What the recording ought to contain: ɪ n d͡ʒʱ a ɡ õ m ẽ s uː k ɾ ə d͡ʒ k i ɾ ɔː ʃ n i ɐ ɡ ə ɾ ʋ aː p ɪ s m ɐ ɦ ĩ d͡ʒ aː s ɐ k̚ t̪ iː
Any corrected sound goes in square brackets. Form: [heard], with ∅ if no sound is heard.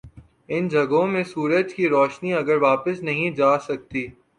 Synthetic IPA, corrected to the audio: ɪ n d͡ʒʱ [ɐ] ɡ õ m ẽ s uː [∅] ɾ ə d͡ʒ k i ɾ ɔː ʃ n i ɐ ɡ ə ɾ ʋ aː p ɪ s [n] ɐ ɦ ĩ d͡ʒ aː s ɐ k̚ t̪ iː